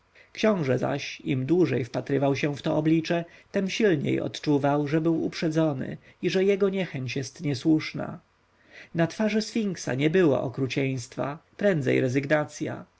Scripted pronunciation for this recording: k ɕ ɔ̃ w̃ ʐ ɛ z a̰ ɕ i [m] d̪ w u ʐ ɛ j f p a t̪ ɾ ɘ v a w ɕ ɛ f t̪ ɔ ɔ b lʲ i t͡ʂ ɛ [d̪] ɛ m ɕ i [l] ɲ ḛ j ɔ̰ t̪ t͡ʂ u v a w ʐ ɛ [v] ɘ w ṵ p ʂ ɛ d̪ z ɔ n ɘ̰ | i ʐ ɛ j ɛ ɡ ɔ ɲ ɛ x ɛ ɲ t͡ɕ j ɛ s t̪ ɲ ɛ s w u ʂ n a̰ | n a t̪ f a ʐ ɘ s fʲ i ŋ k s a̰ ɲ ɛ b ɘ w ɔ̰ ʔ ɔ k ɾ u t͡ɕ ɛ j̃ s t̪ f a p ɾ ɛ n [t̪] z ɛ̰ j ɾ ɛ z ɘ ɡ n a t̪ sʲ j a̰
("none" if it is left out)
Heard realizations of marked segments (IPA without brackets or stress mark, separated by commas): m, t̪, l, b, d̪